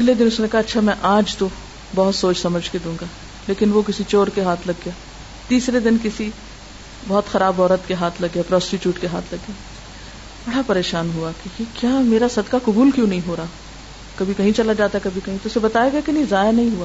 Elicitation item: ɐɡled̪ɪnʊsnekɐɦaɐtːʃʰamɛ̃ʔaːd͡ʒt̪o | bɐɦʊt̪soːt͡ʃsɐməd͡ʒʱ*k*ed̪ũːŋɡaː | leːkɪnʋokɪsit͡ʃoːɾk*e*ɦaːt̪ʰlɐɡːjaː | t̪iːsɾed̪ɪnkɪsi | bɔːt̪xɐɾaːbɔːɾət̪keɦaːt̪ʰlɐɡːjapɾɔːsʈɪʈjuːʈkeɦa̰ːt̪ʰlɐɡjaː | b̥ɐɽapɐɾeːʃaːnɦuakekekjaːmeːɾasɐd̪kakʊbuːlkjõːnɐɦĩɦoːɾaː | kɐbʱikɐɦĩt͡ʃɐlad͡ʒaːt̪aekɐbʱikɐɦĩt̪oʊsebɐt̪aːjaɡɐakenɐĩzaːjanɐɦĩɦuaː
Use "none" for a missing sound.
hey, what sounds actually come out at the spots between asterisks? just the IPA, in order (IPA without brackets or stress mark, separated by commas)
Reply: k, e